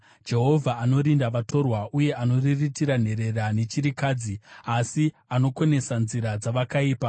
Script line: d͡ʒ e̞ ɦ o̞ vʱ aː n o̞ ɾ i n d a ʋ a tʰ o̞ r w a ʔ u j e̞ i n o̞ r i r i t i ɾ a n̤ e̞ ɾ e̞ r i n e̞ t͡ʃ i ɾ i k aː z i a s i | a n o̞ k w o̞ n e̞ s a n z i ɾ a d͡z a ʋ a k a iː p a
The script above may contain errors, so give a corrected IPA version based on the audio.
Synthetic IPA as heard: d͡ʒ e̞ ɦ o̞ vʱ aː n o̞ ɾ i n d a ʋ a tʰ o̞ r w a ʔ u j e̞ a n o̞ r i r i t i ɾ a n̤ e̞ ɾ e̞ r a n e̞ t͡ʃ i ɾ i k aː d͡z i a s i | a n o̞ k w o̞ n e̞ s a n z i ɾ a d͡z a ʋ a k a iː p a